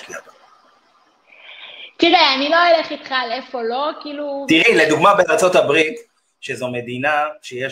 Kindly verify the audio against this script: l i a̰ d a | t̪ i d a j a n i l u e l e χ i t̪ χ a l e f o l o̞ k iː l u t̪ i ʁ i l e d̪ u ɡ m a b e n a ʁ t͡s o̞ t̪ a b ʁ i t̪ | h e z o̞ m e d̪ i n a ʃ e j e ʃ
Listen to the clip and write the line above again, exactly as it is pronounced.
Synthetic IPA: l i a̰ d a | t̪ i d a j a n i l o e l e χ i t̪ χ a l e f o l o̞ k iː l u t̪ i ʁ i l e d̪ u ɡ m a b e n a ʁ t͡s o̞ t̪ a b ʁ i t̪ | ʃ e z o̞ m e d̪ i n a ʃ e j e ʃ